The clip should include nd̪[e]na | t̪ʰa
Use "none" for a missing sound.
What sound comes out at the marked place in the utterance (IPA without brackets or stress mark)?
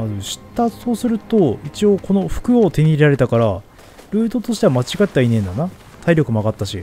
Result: a